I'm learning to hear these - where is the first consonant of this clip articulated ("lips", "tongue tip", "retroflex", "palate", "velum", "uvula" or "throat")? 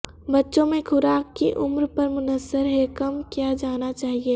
lips